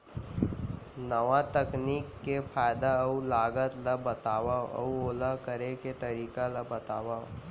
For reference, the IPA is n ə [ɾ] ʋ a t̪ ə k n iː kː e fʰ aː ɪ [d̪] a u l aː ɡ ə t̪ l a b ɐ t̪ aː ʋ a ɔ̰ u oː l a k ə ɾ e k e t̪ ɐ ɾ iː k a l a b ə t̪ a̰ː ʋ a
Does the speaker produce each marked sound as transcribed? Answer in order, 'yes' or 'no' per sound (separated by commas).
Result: no, yes